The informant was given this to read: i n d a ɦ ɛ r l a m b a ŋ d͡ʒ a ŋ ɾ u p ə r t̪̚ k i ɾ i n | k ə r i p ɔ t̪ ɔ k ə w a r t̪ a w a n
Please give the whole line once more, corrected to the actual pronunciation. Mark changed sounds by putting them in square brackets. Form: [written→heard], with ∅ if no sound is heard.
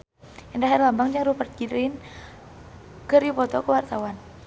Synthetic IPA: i n d a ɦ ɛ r l a m b a ŋ d͡ʒ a ŋ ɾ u p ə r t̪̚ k i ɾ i n | k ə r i p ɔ t̪ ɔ k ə w a r t̪ a w a n